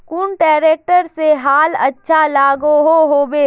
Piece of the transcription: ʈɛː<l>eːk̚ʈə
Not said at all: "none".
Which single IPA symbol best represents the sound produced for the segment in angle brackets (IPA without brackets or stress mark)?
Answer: ɾ